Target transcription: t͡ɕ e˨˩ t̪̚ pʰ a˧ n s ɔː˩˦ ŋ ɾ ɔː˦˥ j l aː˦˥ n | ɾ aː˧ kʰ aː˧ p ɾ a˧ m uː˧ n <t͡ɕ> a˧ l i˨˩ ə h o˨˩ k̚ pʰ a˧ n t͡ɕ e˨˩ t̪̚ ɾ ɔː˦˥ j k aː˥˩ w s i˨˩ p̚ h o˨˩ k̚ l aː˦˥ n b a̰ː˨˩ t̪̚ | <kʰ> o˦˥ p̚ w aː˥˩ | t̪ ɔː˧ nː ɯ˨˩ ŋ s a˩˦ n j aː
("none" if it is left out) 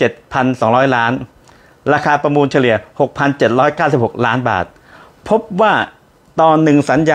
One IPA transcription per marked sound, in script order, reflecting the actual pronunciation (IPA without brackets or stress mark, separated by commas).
t͡ɕʰ, pʰ